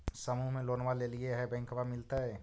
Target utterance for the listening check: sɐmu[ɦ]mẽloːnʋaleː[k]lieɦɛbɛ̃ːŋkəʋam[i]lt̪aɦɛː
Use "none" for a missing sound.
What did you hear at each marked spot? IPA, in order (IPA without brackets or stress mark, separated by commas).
ɦ, none, ɪ